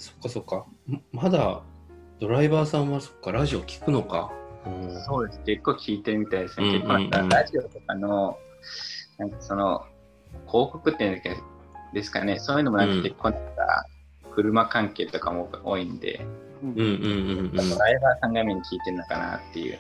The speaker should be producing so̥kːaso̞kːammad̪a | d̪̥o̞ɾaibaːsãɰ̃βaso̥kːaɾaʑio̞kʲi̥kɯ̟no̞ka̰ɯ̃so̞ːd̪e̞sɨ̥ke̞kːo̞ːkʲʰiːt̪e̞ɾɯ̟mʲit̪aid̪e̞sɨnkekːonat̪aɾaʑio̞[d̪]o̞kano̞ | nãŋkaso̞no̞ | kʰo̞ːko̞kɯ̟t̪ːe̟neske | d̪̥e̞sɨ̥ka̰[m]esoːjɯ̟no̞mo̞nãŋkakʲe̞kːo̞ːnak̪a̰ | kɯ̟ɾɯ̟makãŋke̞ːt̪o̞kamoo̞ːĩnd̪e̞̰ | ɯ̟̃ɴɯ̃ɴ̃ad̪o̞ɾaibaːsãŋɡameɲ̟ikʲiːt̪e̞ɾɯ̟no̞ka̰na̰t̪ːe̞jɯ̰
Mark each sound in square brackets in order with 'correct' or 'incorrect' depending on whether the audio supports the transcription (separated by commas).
incorrect, incorrect